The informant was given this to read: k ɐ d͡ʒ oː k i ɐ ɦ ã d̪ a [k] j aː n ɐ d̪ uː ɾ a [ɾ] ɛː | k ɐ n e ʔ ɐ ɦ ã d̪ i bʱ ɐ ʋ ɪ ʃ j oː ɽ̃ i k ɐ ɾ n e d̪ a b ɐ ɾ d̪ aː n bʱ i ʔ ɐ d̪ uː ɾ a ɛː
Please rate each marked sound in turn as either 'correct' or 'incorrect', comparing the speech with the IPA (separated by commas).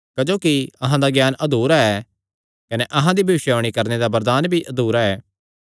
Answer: incorrect, incorrect